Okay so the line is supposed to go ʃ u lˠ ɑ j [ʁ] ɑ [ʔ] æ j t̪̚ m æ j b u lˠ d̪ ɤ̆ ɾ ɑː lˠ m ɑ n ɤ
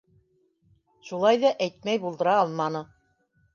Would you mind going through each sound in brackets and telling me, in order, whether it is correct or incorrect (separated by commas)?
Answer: incorrect, correct